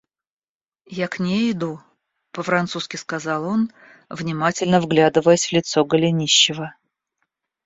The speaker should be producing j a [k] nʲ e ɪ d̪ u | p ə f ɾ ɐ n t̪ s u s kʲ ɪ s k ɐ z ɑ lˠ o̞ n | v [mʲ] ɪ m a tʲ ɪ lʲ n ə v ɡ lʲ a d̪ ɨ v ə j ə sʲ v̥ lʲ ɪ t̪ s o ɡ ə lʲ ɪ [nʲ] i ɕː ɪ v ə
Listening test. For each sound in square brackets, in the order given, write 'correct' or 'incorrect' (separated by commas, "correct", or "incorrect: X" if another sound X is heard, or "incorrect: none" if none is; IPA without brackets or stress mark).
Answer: correct, incorrect: nʲ, correct